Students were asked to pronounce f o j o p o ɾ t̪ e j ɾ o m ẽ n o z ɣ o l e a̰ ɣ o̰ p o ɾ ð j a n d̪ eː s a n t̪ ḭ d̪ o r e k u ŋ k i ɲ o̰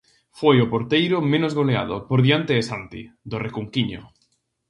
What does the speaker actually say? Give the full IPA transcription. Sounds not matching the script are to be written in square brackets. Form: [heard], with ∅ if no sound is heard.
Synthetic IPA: f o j o p o ɾ t̪ e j ɾ o m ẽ n o z ɣ o l e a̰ [ð] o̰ p o ɾ ð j a n [t̪] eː s a n t̪ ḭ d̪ o r e k u ŋ k i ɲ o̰

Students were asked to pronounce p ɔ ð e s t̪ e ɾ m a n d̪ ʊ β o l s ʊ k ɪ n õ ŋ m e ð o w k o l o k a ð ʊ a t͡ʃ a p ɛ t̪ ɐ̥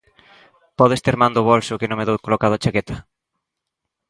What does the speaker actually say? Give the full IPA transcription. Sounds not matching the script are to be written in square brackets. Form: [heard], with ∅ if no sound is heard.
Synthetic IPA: p ɔ ð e s t̪ e ɾ m a n d̪ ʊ β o l s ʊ k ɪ n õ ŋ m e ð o w k o l o k a ð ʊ a t͡ʃ a [k] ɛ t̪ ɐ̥

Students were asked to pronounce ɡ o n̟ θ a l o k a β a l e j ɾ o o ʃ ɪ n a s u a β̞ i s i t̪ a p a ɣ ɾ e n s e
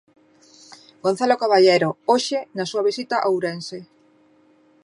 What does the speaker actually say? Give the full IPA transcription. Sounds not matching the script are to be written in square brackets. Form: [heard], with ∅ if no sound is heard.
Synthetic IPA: ɡ o n̟ θ a l o k a β a [ʎ] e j ɾ o o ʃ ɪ n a s u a β̞ i s i t̪ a [ʔ] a [w] ɾ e n s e

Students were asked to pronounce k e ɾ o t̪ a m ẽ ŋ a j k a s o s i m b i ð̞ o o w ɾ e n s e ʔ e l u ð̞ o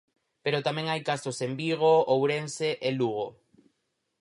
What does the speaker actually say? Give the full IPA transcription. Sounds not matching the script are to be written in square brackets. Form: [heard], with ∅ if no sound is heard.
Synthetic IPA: [p] e ɾ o t̪ a m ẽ ŋ a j k a s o s [e] m b i [ɣ̞] o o w ɾ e n s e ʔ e l u [ɣ̞] o

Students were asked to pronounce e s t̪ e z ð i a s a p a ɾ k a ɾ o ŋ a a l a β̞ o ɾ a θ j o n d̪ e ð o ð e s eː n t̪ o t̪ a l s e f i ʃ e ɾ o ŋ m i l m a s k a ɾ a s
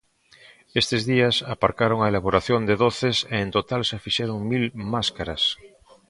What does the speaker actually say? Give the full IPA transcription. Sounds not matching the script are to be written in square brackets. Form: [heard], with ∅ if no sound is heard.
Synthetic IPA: e s t̪ e z ð i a s a p a ɾ k a ɾ o ŋ a [e] l a β̞ o ɾ a θ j o n d̪ e ð o [θ] e s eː n t̪ o t̪ a l s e f i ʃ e ɾ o ŋ m i l m a s k a ɾ a s

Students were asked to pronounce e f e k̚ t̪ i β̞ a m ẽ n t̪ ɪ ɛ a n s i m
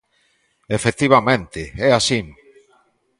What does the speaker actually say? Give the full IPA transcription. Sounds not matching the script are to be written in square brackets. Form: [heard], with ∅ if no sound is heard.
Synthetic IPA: e f e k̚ t̪ i β̞ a m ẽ n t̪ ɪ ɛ a [∅] s i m

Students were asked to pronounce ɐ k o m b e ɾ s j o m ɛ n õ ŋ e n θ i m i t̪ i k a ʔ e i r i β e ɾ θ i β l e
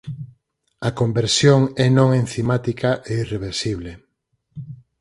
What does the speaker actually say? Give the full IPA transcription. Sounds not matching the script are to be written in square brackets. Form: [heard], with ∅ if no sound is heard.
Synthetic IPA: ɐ k o m b e ɾ s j o [ŋ] ɛ n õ ŋ e n θ i m [a] t̪ i k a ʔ e i r [e] β e ɾ [s] i β l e

